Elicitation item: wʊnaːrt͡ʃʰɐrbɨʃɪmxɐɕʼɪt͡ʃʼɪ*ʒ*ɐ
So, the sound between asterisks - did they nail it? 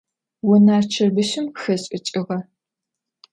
no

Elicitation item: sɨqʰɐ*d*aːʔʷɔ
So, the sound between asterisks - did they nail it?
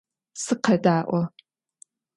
yes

